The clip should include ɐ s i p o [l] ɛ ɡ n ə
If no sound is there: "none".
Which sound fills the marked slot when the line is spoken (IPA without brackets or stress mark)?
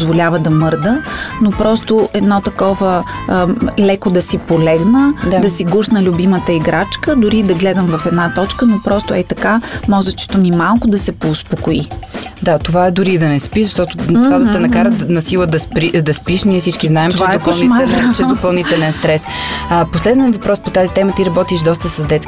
l